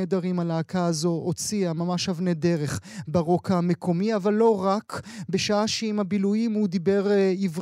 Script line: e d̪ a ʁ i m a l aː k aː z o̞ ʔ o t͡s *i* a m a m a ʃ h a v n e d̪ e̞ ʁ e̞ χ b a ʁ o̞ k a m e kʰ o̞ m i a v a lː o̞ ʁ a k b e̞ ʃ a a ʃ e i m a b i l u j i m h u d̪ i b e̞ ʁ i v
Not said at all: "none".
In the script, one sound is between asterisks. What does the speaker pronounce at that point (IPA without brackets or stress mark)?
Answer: i